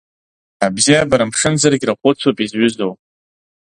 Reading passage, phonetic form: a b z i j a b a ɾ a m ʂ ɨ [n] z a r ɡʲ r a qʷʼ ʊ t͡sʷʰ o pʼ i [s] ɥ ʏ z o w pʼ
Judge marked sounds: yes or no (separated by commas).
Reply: yes, no